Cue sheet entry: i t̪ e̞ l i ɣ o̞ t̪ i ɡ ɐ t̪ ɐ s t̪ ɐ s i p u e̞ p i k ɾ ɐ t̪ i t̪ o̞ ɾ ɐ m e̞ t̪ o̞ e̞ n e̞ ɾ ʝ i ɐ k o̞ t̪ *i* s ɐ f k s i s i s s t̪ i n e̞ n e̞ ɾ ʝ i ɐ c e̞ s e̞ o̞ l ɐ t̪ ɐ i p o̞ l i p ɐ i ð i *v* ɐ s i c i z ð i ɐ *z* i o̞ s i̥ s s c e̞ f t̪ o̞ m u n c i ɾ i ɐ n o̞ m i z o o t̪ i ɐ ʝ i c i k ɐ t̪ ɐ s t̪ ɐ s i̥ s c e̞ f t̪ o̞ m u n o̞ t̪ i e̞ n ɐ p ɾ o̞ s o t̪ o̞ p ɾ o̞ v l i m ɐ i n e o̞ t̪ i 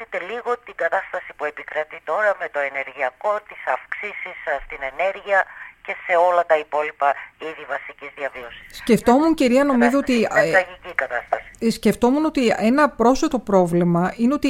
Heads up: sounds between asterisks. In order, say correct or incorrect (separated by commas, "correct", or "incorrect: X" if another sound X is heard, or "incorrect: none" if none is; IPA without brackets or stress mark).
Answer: correct, correct, incorrect: v